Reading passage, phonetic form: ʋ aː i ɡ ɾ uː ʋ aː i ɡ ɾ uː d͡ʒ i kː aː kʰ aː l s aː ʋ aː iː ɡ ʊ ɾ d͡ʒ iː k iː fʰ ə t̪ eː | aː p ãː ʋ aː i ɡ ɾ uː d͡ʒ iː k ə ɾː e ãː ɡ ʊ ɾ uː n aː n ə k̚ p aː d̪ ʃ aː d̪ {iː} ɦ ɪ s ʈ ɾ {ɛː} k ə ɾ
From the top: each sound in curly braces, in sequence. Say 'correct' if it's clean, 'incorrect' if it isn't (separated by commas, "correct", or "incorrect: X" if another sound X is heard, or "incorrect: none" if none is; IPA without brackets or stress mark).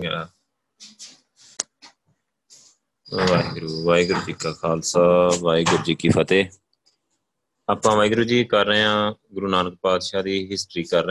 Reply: correct, incorrect: iː